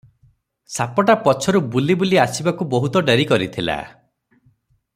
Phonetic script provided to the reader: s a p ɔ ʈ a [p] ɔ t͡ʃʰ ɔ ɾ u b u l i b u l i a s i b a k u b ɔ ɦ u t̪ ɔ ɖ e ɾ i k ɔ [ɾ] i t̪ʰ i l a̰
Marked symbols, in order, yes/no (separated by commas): yes, yes